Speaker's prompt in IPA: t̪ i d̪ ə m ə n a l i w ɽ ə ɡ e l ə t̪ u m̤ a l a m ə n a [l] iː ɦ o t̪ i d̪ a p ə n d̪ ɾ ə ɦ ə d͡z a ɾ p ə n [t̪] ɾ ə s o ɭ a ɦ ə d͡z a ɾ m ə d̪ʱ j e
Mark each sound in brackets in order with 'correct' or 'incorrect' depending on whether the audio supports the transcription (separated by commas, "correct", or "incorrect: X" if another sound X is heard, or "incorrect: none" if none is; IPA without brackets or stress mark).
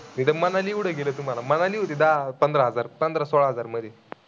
correct, incorrect: d̪